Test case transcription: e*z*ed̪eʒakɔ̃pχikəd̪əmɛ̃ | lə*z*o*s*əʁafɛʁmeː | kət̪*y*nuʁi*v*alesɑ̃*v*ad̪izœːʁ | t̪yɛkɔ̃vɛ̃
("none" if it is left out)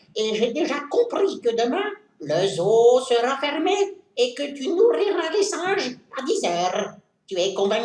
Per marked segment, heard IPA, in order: ʒ, z, s, y, ʁ, ʒ

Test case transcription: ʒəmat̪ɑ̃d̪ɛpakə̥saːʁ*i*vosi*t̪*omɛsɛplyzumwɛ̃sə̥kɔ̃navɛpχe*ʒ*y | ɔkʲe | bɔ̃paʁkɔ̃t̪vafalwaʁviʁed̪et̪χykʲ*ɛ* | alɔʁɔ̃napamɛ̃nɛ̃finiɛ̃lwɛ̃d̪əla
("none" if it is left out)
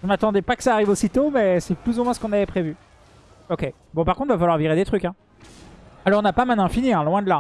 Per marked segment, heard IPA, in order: i, t̪, v, ɛ̃

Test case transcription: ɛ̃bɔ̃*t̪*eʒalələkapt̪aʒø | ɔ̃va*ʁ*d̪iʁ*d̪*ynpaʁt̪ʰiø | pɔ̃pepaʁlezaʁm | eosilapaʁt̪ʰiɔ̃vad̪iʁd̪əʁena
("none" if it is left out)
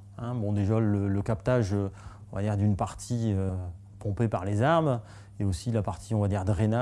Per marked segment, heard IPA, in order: d̪, none, d̪

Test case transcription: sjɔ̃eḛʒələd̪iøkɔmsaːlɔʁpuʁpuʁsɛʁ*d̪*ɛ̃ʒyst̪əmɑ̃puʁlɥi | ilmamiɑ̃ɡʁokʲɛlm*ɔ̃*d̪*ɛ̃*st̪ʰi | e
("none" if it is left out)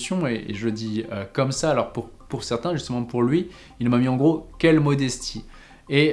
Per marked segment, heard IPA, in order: t̪, ɔ, ɛ

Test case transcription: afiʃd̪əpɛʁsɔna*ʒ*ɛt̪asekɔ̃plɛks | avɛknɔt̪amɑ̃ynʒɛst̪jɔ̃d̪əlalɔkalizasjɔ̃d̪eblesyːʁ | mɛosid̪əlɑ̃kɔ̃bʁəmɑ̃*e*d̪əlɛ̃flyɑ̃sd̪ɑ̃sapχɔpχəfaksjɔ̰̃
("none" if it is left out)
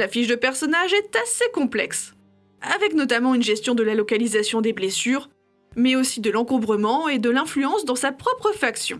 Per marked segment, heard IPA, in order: ʒ, e

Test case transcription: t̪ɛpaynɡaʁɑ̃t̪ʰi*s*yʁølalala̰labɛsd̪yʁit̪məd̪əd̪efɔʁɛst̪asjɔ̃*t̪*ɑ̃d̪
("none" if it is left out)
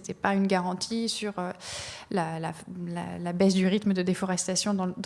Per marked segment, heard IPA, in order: s, d̪

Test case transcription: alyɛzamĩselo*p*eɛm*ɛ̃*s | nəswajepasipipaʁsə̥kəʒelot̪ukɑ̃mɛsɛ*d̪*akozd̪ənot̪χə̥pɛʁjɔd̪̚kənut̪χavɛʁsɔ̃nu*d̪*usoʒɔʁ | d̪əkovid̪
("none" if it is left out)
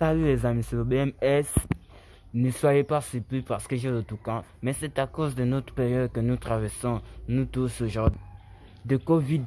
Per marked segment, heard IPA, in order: b, ɛ, t̪, t̪

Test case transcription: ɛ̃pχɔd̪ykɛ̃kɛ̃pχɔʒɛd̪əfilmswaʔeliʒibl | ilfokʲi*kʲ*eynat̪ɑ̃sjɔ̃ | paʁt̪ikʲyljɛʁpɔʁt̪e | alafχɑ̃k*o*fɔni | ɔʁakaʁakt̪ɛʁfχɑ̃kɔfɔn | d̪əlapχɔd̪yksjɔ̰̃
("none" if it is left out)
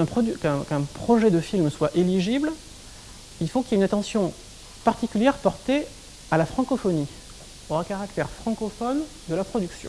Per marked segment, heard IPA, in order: none, ɔ

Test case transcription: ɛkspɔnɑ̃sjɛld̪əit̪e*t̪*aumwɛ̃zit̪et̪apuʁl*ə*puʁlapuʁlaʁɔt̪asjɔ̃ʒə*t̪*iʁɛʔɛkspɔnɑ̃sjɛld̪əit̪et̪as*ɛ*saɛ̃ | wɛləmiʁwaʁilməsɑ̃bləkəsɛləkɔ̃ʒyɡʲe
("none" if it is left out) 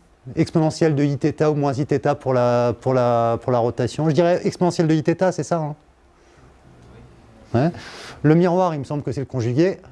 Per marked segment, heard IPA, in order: t̪, a, d̪, ɛ

